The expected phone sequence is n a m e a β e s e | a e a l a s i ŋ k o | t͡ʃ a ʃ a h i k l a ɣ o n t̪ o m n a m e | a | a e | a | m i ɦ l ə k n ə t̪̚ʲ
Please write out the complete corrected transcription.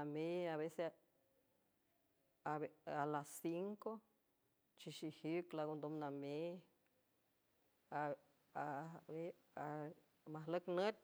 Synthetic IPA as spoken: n a m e a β e s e | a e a l a s i ŋ k o | t͡ʃ i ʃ i h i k l a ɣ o n d̪ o m n a m e | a | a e | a | m a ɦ l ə k n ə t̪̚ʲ